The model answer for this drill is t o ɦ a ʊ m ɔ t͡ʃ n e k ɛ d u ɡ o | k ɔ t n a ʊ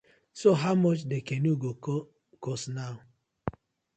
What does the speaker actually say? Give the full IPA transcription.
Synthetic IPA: s o ɦ a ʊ m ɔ t͡ʃ d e k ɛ n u ɡ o | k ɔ s n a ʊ